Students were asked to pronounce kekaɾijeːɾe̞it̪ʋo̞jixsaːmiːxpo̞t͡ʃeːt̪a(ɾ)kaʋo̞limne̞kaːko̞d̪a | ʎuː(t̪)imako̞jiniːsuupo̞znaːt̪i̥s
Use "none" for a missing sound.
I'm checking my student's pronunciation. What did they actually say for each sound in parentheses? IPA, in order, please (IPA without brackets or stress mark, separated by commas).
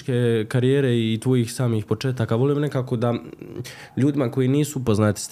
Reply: none, d̪